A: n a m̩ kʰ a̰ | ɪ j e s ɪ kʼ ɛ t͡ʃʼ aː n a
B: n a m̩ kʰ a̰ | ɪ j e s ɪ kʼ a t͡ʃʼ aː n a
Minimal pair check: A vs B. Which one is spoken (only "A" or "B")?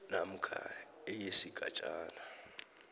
B